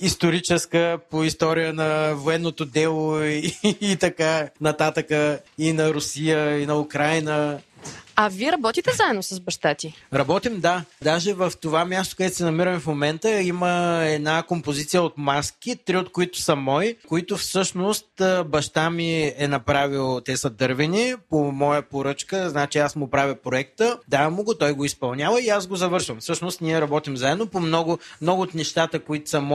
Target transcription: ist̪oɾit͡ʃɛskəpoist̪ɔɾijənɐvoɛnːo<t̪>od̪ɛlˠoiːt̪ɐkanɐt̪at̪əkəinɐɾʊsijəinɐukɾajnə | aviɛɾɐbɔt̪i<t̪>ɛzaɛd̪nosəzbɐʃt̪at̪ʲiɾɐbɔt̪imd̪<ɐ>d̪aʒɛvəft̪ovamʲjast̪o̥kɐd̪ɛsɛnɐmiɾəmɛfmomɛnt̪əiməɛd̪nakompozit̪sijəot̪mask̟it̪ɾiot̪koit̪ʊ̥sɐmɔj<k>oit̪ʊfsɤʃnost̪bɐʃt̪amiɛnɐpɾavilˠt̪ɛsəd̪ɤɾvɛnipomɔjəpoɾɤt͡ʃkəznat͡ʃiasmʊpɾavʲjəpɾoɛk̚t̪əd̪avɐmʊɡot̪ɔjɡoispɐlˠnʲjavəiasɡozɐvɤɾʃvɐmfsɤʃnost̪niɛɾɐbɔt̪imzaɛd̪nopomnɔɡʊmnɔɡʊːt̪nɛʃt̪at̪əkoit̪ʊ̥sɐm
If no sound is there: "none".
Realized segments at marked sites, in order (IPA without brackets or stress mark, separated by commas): t̪, t̪, a, k